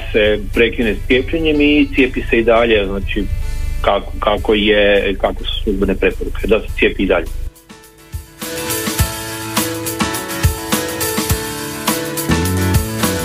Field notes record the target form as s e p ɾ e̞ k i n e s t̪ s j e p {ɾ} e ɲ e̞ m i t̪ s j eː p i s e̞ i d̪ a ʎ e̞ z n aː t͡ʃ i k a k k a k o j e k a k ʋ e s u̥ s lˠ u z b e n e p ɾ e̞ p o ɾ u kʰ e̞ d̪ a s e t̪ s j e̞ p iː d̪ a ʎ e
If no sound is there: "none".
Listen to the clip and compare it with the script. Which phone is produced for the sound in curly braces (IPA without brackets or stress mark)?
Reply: ʎ